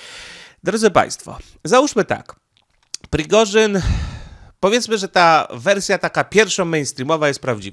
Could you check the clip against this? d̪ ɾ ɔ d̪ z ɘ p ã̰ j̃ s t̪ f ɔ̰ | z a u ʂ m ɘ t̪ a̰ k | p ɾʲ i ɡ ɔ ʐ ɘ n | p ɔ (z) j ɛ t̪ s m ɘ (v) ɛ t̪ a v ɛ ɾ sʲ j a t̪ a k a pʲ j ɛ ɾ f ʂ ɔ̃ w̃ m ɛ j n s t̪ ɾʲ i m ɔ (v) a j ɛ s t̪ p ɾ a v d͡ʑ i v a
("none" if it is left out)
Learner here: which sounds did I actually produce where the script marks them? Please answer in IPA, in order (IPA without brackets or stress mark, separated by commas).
v, ʐ, v